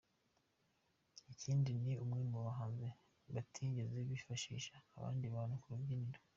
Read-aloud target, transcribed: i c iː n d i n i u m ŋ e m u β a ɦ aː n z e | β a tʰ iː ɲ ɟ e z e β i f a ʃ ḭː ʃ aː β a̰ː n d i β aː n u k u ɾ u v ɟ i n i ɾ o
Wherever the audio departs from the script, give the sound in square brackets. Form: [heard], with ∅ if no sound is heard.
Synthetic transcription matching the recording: i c iː n d i n i u m ŋ e m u β a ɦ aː n z e | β a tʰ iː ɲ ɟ e z e β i f a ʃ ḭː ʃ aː β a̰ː n d i β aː n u k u ɾ u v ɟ i n i ɾ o